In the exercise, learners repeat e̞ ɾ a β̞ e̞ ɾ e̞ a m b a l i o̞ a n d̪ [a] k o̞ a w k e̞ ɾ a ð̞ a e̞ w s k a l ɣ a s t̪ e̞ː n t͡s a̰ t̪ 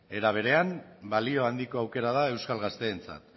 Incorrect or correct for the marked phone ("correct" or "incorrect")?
incorrect